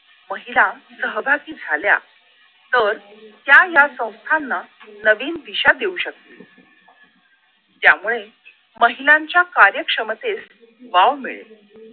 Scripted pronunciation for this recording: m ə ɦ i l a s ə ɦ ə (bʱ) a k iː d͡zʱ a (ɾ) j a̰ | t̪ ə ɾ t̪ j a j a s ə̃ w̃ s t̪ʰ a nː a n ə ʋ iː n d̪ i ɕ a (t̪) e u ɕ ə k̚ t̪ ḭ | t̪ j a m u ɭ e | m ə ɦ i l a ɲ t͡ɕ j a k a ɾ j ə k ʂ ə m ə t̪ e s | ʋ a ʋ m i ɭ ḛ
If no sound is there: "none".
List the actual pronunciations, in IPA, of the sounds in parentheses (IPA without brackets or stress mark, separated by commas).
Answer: bʱ, l, d̪